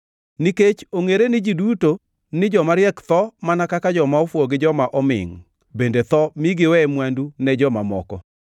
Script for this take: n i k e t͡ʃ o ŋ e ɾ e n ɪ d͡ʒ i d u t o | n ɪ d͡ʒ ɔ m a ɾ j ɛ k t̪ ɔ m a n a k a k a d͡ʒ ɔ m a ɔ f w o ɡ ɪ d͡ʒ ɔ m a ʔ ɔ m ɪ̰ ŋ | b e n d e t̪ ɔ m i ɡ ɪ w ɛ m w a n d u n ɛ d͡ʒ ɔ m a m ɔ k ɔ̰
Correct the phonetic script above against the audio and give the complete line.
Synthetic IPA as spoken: n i k e t͡ʃ o ŋ e ɾ e n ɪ d͡ʒ i d u t o | n ɪ d͡ʒ ɔ m a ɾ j ɛ k t̪ ɔ m a n a k a k a d͡ʒ ɔ m a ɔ f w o ɡ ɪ d͡ʒ ɔ m a ʔ ɔ m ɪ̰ ŋ | b e n d e t̪ ɔ m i ɡ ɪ w ɛ m w a n d u n ɛ d͡ʒ ɔ m a m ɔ k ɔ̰